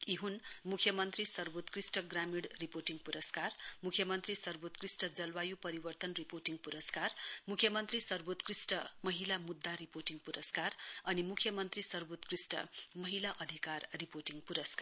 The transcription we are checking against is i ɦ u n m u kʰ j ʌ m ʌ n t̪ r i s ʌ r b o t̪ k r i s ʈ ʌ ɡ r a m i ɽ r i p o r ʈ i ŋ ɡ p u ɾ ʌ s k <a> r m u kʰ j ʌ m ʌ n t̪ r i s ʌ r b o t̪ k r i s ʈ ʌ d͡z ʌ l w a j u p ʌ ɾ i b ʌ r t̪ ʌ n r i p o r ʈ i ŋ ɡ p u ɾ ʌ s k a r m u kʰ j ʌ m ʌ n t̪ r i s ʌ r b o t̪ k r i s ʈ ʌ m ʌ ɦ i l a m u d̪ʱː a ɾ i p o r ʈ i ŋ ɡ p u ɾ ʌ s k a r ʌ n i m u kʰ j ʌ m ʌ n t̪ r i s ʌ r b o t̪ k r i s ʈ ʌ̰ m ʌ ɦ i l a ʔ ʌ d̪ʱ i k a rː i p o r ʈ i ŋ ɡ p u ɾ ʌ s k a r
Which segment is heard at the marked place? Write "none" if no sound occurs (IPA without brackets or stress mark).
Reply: a